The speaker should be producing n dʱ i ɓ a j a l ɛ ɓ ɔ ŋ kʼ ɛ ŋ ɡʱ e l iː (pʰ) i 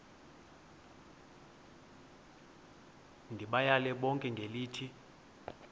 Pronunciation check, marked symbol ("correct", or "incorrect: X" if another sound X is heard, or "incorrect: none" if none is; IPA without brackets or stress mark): incorrect: tʰ